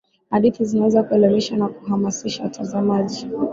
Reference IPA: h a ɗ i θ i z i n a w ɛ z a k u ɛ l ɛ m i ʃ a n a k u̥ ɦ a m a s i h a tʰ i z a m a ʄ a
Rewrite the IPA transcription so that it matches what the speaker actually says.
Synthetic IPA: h a ɗ i θ i z i n a w ɛ z a k u ɛ l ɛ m i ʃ a n a k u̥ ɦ a m a s i ʃ a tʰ a z a m a ʄ i